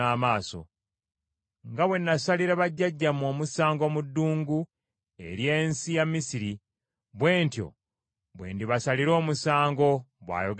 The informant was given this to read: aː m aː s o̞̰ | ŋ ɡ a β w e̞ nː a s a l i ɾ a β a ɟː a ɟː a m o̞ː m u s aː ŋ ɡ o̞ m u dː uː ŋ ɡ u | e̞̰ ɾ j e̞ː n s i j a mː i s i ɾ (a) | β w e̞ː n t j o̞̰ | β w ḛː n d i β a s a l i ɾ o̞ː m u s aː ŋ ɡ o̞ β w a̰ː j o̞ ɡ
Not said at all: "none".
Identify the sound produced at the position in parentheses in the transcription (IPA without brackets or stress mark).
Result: i